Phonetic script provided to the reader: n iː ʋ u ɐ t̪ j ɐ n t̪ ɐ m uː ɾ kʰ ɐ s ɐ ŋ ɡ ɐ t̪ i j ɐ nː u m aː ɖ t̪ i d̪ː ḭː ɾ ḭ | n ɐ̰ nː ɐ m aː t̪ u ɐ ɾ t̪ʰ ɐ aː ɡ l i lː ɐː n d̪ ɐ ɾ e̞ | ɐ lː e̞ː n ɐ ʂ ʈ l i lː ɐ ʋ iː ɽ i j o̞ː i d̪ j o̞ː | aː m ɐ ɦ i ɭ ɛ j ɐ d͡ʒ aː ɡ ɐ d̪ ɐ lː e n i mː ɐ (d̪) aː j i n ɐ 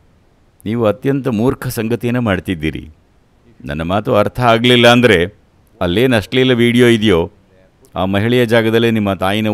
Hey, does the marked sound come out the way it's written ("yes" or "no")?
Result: no